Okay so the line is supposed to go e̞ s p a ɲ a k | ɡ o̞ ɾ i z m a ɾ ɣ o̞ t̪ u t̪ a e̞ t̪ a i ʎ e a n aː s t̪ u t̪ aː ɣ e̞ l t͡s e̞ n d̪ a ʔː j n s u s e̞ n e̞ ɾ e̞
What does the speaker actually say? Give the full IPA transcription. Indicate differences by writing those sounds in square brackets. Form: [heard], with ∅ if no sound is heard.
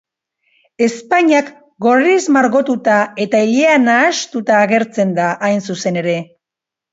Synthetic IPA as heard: e̞ s p a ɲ a k | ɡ o̞ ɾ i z m a ɾ ɣ o̞ t̪ u t̪ a e̞ t̪ a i ʎ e a n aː s t̪ u t̪ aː ɣ e̞ [ɾ] t͡s e̞ n d̪ a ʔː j n s u s e̞ n e̞ ɾ e̞